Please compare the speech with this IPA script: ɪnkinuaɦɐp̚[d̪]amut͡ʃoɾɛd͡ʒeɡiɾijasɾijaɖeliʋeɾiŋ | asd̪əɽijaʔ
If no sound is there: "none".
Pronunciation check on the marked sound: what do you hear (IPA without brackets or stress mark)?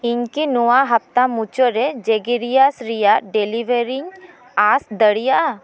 t̪